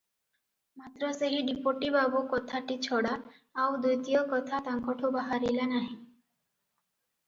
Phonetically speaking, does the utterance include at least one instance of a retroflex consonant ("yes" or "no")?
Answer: yes